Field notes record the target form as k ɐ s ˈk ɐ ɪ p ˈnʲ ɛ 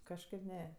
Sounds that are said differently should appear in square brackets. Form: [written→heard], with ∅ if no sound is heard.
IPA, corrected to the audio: k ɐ [s→ʃ] ˈk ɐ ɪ p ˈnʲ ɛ